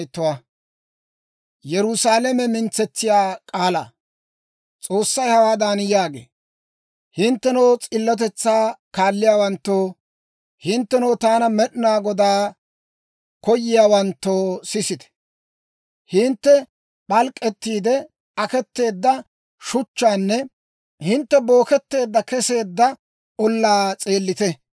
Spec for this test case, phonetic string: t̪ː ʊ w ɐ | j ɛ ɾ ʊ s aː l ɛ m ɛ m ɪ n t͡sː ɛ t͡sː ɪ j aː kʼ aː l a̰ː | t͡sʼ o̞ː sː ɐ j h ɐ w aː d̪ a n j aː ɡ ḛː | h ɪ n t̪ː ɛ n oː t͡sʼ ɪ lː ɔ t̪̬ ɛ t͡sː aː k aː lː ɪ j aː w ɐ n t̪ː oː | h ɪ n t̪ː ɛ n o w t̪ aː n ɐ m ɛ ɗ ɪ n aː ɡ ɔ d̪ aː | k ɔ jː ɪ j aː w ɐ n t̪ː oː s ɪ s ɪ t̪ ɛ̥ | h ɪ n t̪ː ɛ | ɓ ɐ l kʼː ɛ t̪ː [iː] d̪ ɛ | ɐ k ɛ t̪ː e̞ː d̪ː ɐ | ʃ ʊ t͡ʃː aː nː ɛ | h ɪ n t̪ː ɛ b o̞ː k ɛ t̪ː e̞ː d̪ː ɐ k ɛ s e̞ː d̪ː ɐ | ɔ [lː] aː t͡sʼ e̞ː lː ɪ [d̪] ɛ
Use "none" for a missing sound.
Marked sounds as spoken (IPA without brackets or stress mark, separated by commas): iː, lː, t̪